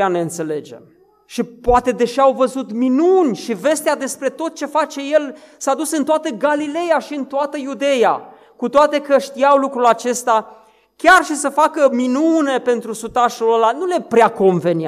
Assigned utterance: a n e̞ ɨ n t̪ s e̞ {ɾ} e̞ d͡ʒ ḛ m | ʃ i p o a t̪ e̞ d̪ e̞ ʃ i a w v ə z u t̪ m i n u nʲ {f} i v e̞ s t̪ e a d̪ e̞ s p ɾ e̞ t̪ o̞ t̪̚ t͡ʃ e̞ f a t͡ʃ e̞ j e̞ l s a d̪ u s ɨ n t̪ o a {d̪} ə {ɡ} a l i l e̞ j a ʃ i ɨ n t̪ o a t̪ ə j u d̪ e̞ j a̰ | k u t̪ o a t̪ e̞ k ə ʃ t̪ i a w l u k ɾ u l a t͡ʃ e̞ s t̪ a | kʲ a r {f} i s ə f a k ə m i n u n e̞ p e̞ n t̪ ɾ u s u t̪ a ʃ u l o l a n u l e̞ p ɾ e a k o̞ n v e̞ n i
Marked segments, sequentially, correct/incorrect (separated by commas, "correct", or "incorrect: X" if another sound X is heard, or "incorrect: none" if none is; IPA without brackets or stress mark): incorrect: l, incorrect: ʃ, incorrect: t̪, correct, incorrect: ʃ